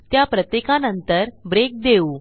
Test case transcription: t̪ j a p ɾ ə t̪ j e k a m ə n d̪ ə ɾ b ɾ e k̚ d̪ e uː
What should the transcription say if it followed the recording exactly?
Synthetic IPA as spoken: t̪ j a p ɾ ə t̪ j e k a n ə n t̪ ə ɾ b ɾ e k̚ d̪ e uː